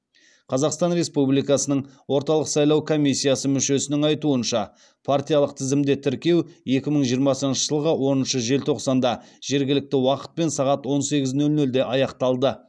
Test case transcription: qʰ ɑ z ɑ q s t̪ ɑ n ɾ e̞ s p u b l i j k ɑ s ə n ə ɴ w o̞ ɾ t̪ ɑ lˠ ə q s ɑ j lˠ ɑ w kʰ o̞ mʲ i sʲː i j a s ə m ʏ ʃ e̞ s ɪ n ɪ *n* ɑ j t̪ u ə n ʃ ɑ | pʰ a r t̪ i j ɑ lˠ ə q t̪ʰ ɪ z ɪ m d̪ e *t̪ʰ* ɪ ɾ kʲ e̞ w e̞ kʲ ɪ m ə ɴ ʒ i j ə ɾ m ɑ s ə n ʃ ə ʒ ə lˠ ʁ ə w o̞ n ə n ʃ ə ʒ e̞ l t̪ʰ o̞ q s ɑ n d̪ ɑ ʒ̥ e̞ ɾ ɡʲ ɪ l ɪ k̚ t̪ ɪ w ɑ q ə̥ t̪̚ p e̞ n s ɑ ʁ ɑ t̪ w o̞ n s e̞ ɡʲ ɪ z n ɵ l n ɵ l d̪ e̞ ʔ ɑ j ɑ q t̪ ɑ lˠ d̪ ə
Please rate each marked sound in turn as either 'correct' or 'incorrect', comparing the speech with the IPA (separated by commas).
incorrect, correct